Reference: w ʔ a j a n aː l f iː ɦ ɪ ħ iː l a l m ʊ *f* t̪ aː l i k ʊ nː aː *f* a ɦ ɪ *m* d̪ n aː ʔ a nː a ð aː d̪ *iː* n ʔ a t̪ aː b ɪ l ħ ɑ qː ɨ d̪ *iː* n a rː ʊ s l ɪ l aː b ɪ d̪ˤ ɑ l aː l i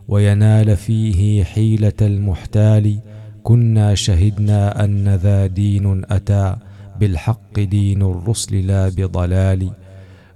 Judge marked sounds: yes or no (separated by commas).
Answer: no, no, no, yes, yes